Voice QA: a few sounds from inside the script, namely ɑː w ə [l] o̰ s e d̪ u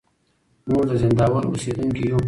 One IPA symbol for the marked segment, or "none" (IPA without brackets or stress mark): ɾ